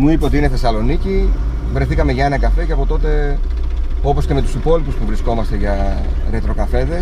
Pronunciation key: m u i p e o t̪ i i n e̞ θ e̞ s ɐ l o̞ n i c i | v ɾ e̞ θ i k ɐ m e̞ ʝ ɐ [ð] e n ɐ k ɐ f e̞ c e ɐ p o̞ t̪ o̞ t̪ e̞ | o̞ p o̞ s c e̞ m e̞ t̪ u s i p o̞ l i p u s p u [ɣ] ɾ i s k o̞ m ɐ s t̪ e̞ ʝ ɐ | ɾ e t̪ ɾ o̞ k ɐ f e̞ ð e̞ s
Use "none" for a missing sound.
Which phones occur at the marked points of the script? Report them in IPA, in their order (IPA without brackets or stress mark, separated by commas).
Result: none, v